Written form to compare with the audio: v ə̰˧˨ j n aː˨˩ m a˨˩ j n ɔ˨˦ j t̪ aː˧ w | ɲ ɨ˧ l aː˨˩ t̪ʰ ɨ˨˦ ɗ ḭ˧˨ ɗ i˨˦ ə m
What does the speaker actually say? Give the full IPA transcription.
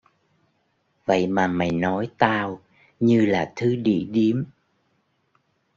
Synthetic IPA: v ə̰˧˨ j m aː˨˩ m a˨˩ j n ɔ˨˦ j t̪ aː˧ w | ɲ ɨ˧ l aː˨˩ t̪ʰ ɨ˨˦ ɗ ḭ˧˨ ɗ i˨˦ ə m